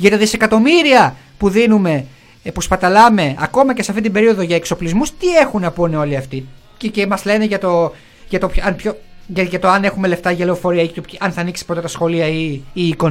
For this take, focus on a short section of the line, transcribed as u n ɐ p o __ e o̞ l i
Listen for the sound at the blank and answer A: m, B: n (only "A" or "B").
B